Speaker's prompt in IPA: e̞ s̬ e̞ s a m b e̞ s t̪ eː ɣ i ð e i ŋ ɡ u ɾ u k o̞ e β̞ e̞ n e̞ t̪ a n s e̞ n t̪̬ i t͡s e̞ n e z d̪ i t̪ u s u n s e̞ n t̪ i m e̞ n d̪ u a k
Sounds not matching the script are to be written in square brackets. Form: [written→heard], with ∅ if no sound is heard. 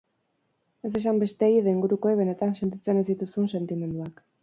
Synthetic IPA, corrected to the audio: e̞ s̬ e̞ s a m b e̞ s t̪ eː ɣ i ð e i ŋ ɡ u ɾ u k o̞ e β̞ e̞ n e̞ t̪ a n s e̞ n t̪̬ i t͡s e̞ n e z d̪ i t̪ u s u n s e̞ n t̪ i m e̞ n d̪ u a k